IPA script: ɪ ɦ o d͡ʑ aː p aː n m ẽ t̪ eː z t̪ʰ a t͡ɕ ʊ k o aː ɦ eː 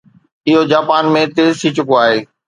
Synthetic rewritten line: ɪ ɦ o d͡ʑ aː p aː n m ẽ t̪ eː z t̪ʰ i t͡ɕ ʊ k o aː ɦ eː

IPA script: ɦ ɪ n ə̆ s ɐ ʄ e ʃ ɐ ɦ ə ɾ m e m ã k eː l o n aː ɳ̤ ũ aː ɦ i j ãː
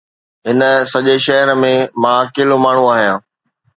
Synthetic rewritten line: ɦ ɪ n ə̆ s ɐ ʄ e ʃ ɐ ɦ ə ɾ m ẽ m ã k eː l o m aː ɳ̤ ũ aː ɦ i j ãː

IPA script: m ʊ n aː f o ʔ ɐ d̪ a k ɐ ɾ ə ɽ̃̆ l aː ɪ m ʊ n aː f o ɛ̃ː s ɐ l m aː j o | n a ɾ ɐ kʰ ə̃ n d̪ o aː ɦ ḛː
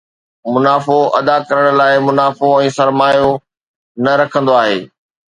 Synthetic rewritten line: m ʊ n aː f o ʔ ɐ d̪ a k ɐ ɾ ə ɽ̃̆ l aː ɪ m ʊ n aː f o ɛ̃ː s ɐ ɾ m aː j o | n ɐ ɾ ɐ kʰ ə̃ n d̪ o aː ɦ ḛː

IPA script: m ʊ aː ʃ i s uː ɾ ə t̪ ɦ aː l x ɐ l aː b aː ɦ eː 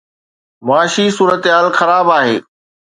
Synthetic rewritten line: m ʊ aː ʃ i s uː ɾ ə t̪ ɦ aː l x ɐ ɾ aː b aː ɦ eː

